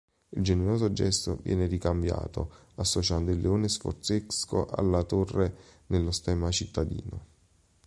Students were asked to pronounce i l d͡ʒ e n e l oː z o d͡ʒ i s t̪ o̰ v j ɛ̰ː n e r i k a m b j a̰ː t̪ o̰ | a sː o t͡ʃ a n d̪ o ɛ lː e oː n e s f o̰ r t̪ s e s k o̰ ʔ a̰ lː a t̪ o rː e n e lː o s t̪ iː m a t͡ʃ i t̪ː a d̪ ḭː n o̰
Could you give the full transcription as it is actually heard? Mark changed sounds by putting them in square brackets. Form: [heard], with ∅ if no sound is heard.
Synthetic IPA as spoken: i l d͡ʒ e n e [ɾ] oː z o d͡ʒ [ɛ] s t̪ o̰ v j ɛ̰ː n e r i k a m b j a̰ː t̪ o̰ | a sː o t͡ʃ a n d̪ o [i] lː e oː n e s f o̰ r t̪ s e s k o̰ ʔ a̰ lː a t̪ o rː e n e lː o s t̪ [ɛː] m a t͡ʃ i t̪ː a d̪ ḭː n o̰